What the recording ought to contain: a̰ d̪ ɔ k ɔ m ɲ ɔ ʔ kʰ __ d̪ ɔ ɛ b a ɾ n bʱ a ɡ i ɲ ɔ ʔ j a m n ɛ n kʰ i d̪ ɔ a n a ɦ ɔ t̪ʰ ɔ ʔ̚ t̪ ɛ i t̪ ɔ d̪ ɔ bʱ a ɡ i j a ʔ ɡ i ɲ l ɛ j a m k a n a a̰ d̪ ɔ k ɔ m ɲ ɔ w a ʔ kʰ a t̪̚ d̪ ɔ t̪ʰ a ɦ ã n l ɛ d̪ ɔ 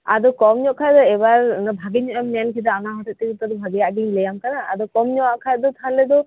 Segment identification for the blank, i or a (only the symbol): a